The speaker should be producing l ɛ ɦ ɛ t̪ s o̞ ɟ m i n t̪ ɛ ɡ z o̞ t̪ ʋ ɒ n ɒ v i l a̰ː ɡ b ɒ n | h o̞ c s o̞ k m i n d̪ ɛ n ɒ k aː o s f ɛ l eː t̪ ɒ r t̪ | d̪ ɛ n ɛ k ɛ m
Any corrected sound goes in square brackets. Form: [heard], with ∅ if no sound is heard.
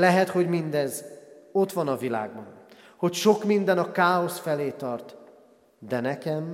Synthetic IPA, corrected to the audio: l ɛ ɦ ɛ t̪ [h] o̞ ɟ m i n [d̪] ɛ [∅] z o̞ t̪ ʋ ɒ n ɒ v i l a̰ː ɡ b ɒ n | h o̞ c [ʃ] o̞ k m i n d̪ ɛ n ɒ k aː o s f ɛ l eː t̪ ɒ r t̪ | d̪ ɛ n ɛ k ɛ m